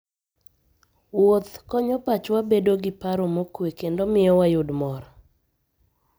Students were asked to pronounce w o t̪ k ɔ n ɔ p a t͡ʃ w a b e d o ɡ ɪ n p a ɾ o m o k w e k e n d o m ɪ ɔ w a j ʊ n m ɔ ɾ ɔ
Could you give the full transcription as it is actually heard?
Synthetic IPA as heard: w o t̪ k ɔ ɲ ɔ p a t͡ʃ w a b e d o ɡ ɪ p a ɾ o m o k w e k e n d o m ɪ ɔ w a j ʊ d m ɔ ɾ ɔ